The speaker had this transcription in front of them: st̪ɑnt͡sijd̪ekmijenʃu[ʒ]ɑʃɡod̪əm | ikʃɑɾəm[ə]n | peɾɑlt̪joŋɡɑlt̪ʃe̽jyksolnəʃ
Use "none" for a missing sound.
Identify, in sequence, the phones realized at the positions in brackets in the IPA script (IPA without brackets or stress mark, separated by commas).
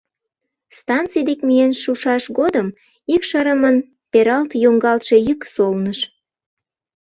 ʃ, ə